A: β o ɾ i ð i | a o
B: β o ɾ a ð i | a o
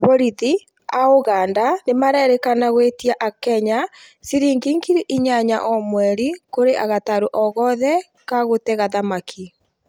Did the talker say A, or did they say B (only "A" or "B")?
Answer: A